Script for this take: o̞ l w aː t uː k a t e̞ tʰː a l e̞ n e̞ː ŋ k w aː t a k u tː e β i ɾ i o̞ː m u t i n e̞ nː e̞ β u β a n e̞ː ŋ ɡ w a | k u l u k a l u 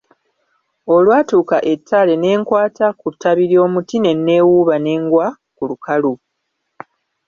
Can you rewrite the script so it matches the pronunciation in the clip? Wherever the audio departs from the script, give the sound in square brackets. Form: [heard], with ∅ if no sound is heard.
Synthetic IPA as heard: o̞ l w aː t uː k a [ʔ] e̞ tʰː a l e̞ n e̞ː ŋ k w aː t a k u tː [a] β i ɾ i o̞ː m u t i n e̞ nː e̞ [w] u β a n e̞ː ŋ ɡ w a | k u l u k a l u